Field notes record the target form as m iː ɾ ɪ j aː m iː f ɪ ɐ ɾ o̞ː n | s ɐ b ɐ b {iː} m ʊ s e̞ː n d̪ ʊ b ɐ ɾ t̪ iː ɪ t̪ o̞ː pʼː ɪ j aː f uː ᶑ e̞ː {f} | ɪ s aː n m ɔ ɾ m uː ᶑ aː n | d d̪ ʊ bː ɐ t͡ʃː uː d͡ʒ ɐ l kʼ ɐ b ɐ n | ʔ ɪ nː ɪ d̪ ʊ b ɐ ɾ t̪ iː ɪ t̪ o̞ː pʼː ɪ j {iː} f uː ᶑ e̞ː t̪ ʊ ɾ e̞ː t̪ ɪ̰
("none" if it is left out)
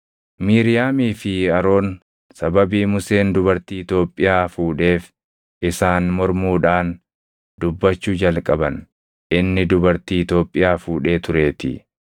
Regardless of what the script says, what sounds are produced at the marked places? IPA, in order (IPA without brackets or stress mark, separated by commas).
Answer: iː, f, aː